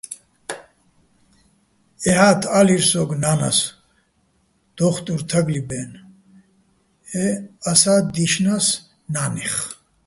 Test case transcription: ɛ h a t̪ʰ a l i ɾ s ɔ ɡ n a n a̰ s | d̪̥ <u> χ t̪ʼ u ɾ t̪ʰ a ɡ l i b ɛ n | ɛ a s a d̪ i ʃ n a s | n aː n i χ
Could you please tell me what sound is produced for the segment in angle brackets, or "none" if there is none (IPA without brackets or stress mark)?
ɔ